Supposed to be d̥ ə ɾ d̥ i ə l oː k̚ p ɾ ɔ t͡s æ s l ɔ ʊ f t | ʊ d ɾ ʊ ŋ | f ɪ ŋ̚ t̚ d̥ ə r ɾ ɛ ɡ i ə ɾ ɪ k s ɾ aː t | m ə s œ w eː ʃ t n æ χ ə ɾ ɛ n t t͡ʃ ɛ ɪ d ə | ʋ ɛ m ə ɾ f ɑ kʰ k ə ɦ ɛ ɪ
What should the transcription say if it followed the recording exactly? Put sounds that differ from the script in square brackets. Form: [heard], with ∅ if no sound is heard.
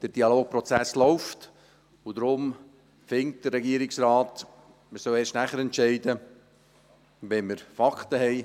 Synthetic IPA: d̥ ə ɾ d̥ i [ɑ] l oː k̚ p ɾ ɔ t͡s æ s l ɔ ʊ f t | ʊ d ɾ ʊ [m] | f ɪ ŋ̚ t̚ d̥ ə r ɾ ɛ ɡ i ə ɾ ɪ k s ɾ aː t | m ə s œ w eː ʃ t n æ χ ə ɾ ɛ n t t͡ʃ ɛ ɪ d ə | ʋ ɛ m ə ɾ f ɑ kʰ [t] ə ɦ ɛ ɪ